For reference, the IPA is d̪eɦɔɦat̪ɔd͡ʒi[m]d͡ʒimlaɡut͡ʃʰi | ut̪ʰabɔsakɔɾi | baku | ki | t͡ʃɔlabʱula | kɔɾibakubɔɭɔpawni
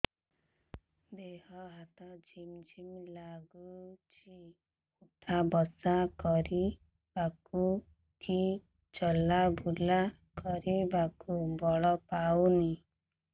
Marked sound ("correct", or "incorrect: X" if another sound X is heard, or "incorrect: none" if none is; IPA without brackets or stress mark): correct